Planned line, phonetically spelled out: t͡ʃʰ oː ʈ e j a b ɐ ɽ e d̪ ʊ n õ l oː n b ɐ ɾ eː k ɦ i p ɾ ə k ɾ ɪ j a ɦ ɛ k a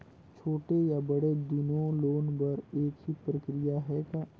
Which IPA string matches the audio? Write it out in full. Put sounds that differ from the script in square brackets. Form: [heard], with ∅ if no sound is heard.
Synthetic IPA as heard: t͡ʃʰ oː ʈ e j a b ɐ ɽ e d̪ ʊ n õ l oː n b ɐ ɾ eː k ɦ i p ɾ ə k ɾ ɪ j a ɦ ɛ k a